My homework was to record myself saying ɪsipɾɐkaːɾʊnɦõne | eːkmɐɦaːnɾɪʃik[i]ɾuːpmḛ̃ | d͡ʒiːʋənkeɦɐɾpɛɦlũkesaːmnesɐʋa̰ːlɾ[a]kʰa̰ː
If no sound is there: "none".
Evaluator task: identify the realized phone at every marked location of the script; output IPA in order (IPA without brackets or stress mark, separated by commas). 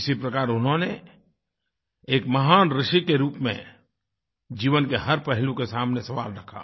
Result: e, ɐ